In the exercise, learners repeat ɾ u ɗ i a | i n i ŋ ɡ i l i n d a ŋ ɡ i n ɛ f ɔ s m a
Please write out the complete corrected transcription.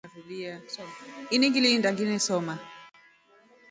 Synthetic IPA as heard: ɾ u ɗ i a | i n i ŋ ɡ i l i n d a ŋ ɡ i n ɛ s ɔ m a